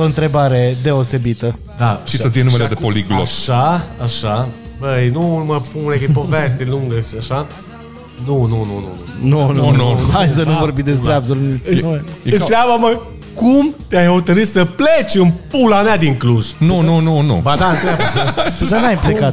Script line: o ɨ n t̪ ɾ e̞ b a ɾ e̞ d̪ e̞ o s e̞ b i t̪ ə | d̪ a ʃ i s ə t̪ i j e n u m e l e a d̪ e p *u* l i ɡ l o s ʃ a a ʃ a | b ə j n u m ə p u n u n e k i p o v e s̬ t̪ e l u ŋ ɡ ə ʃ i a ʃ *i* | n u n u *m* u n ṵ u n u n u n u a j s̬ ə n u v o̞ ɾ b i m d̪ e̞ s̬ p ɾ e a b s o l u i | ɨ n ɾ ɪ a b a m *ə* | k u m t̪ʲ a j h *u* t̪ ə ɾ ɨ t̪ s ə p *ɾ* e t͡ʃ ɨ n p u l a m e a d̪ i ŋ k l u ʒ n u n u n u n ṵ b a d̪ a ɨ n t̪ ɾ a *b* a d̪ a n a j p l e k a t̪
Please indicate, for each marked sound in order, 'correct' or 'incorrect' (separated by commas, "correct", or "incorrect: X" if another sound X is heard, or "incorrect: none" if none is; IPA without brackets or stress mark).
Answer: incorrect: o, incorrect: a, incorrect: n, correct, incorrect: o, incorrect: l, correct